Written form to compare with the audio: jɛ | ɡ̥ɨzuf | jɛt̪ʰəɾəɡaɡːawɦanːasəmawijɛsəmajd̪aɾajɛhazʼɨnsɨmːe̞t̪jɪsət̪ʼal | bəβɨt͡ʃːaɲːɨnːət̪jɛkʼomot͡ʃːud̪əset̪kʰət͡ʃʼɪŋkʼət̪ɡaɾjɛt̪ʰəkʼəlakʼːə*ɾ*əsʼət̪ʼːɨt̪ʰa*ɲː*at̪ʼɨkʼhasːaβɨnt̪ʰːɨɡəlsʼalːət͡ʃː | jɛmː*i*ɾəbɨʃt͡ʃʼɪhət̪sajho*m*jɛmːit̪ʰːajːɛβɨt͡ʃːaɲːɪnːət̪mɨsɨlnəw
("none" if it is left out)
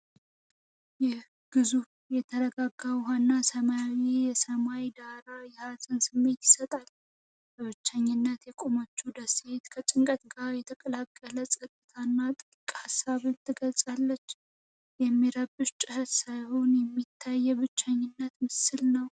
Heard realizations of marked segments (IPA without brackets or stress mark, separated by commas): l, nː, i, n